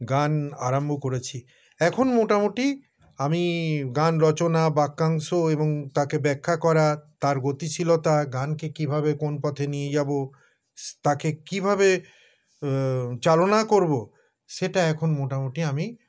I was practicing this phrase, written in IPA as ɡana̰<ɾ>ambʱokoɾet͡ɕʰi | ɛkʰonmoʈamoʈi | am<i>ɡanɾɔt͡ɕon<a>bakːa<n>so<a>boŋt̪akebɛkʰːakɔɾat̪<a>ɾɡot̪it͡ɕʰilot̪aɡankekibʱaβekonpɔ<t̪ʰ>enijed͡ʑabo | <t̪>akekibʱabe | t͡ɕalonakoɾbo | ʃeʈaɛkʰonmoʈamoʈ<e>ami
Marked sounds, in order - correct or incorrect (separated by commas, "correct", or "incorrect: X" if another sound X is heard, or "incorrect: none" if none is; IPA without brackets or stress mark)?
correct, correct, correct, incorrect: ŋ, incorrect: e, correct, correct, correct, incorrect: i